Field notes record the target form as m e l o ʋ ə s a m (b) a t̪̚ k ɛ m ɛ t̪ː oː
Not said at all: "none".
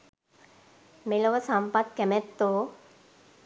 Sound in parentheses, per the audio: p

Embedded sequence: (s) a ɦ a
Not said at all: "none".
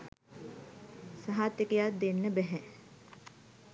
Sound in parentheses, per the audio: s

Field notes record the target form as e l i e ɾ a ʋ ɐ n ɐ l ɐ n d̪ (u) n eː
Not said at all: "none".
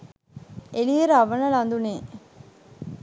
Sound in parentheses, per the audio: u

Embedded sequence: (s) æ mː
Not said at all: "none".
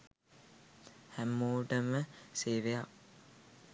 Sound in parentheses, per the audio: h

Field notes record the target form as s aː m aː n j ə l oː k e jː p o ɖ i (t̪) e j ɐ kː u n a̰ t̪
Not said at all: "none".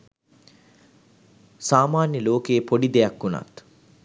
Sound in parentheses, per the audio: d̪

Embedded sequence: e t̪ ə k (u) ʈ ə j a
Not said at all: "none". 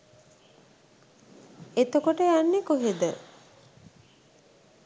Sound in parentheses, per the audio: o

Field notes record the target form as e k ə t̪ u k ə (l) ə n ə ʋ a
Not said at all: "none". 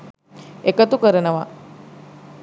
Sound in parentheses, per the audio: ɾ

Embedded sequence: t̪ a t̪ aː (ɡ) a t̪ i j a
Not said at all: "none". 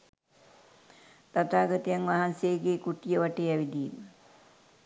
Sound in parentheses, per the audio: ɡ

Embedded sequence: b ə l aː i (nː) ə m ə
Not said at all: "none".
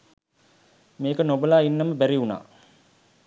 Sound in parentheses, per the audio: nː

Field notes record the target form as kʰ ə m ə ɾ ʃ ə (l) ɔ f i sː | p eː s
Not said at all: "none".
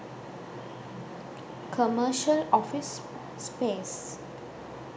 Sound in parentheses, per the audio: l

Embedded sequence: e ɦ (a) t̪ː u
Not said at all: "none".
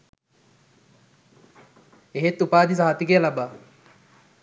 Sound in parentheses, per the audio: e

